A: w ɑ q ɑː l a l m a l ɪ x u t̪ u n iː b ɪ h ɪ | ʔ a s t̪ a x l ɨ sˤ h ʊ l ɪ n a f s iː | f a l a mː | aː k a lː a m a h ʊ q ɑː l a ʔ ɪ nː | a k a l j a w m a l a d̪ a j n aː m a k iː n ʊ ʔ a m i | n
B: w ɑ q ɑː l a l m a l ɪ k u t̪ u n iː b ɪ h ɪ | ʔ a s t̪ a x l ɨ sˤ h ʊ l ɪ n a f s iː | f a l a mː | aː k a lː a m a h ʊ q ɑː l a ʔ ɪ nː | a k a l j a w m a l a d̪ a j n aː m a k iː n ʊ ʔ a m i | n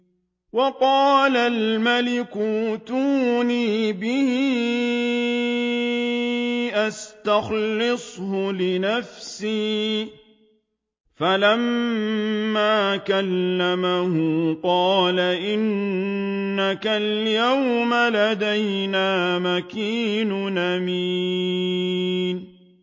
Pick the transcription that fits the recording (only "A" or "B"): B